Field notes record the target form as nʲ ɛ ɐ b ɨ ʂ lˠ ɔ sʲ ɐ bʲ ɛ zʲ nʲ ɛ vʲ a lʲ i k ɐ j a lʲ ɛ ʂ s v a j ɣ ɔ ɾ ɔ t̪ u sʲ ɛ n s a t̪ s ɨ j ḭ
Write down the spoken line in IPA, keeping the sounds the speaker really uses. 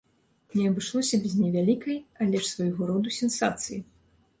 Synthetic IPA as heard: nʲ ɛ ɐ b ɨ ʂ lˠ ɔ sʲ ɐ bʲ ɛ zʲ nʲ ɛ vʲ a lʲ i k ɐ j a lʲ ɛ ʂ s v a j ɣ ɔ ɾ ɔ d̪ u sʲ ɛ n s a t̪ s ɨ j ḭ